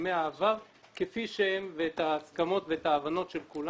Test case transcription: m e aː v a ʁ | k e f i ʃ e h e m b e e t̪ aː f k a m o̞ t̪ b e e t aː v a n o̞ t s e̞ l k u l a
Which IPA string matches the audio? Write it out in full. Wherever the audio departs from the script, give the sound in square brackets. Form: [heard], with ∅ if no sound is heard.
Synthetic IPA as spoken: m e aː v a ʁ | k e f i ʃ e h e m [v] e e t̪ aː [s] k a m o̞ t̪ [v] e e t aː v a n o̞ t [ʃ] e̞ l k u l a